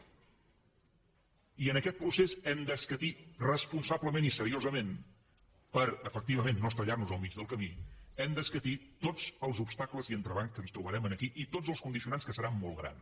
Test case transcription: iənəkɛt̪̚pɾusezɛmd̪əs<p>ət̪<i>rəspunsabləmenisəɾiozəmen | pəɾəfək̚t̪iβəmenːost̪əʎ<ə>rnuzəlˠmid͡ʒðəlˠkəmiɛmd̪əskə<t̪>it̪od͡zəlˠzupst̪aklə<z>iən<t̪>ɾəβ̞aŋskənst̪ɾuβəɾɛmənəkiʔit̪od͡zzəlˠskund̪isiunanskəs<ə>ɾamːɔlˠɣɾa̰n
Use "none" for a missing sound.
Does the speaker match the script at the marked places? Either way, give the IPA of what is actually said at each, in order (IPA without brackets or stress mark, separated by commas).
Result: k, i, a, t̪, z, t̪, ə